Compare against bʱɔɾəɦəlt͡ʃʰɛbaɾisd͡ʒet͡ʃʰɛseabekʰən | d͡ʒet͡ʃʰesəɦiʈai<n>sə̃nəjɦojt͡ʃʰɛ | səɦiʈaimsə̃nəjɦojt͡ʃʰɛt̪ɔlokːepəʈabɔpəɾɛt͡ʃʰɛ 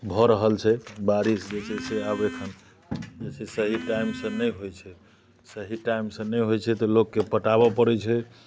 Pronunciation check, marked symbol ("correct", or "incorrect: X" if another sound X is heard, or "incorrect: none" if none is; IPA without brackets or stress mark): incorrect: m